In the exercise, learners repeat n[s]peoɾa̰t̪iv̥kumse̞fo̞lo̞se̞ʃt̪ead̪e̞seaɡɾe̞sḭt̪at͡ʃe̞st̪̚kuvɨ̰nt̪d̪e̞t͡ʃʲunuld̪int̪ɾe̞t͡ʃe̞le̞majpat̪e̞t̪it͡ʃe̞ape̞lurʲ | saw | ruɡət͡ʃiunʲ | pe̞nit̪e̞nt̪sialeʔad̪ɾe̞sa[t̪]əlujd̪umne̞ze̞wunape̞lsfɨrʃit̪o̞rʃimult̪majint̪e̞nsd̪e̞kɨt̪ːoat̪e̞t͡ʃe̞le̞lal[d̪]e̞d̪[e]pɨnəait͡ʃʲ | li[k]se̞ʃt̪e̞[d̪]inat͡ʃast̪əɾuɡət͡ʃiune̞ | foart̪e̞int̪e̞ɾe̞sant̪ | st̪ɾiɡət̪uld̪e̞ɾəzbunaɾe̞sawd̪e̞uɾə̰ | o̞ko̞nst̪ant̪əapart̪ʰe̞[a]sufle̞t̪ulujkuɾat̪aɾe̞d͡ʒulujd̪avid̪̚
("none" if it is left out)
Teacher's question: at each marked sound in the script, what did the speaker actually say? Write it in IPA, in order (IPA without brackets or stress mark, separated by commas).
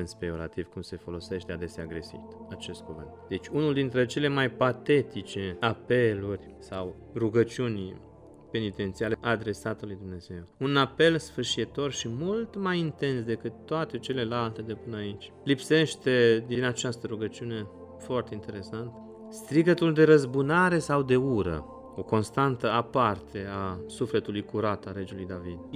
s, t̪, t̪, e, p, d̪, a